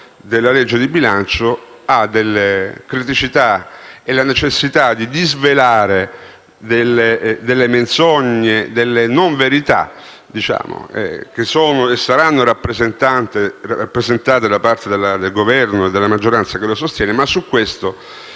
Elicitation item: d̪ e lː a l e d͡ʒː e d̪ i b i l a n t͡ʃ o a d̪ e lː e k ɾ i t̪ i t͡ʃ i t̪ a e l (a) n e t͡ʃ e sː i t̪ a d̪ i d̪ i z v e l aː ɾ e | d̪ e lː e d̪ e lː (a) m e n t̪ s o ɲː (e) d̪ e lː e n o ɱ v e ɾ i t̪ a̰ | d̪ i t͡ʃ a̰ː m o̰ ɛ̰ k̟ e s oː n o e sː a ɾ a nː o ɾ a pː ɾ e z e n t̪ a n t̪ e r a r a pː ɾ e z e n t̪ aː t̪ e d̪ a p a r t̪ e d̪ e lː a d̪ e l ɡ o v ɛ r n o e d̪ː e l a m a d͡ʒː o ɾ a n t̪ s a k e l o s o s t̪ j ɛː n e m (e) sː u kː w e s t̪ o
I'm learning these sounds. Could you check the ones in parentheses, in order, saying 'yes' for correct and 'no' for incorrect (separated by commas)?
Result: yes, no, yes, no